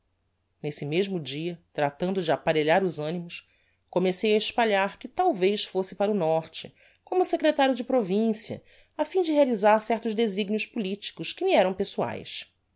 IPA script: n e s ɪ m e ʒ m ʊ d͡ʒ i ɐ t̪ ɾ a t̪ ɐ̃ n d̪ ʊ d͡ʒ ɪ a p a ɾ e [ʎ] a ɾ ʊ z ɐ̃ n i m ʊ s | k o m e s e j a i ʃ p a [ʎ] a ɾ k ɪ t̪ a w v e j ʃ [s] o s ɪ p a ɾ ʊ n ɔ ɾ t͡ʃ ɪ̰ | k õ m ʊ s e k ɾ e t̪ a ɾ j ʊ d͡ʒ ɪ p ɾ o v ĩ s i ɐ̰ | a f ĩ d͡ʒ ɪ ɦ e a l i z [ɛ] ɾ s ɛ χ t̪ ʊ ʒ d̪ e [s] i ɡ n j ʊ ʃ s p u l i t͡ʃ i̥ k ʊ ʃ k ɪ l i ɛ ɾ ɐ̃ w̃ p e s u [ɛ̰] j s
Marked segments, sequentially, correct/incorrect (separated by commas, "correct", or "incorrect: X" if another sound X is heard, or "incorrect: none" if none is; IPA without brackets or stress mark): correct, correct, incorrect: f, incorrect: a, incorrect: z, incorrect: a̰